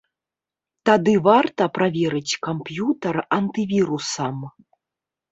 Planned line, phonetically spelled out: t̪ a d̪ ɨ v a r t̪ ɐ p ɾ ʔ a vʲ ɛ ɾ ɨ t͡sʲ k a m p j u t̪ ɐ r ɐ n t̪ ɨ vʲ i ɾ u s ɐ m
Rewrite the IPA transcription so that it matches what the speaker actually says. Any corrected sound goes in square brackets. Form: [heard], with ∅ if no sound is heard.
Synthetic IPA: t̪ a d̪ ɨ v a r t̪ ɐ p ɾ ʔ a vʲ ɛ ɾ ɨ t͡sʲ k a m p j u t̪ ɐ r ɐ n t̪ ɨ vʲ i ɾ u s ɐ m